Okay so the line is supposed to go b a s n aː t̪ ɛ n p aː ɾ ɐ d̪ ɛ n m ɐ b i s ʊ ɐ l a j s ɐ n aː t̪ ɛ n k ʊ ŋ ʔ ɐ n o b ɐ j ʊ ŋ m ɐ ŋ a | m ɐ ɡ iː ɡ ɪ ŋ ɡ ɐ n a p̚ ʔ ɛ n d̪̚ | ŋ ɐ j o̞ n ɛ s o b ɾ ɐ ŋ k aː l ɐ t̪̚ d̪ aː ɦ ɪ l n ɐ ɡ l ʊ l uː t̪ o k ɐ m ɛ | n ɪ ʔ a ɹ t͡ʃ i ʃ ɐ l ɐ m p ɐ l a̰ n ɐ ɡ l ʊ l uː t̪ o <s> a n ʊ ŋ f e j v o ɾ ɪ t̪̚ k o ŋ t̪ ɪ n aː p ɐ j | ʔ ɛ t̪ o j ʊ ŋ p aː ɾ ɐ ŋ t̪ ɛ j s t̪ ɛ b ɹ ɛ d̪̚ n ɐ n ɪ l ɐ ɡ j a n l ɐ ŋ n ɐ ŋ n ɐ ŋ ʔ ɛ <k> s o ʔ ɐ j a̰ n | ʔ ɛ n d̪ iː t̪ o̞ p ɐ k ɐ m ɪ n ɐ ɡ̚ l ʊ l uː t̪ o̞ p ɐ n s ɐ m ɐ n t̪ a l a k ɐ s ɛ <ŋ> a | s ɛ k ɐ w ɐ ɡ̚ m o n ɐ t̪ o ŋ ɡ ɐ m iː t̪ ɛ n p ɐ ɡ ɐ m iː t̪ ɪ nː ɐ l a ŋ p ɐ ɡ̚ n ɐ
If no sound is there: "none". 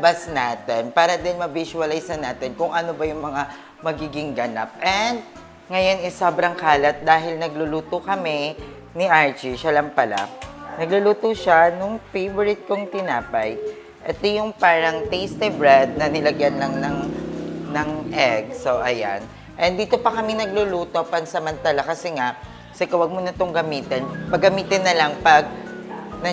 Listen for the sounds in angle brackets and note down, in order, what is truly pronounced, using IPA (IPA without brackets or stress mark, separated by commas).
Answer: ʃ, ɡ, ŋ